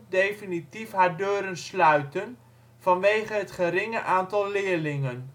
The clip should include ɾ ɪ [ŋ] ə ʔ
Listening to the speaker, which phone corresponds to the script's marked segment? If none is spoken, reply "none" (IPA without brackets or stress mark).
ŋ